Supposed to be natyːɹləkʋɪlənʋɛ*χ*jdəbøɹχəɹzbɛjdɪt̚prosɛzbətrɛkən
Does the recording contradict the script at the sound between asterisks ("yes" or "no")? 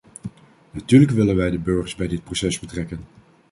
yes